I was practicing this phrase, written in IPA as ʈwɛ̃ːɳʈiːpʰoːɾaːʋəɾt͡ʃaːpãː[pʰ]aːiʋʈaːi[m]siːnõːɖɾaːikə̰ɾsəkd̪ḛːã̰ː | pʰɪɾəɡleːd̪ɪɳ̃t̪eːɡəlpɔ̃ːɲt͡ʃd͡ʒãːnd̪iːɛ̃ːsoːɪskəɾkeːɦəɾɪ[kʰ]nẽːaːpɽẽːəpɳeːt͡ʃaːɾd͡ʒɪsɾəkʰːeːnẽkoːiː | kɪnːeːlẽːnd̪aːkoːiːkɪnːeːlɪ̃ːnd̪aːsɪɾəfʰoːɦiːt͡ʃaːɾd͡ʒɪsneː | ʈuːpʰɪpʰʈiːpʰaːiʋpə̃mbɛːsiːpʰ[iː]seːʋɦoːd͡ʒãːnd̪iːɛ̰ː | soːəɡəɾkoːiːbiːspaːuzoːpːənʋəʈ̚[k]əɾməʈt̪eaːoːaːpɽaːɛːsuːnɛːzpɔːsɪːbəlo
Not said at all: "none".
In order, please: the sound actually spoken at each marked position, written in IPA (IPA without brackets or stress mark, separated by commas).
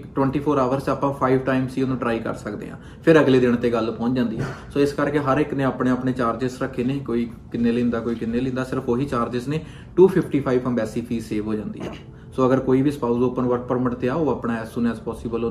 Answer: pʰ, m, k, iː, p